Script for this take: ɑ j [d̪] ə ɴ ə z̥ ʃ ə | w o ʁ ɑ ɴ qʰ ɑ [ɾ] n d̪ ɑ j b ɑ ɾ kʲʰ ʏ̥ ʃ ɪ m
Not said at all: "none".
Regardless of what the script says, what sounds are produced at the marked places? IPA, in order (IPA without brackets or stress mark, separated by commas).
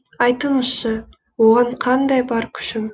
t̪, none